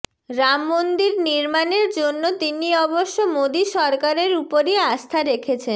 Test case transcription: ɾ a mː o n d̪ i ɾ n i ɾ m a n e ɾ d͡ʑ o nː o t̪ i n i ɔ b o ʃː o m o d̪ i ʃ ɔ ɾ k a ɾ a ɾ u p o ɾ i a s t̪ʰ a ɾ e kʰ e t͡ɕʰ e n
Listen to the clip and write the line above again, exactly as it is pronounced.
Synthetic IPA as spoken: ɾ a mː o n d̪ i ɾ n i ɾ m a n e ɾ d͡ʑ o nː o t̪ i n i ɔ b o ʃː o m o d̪ i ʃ ɔ ɾ k a ɾ e ɾ u p o ɾ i a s t̪ʰ a ɾ e kʰ e t͡ɕʰ e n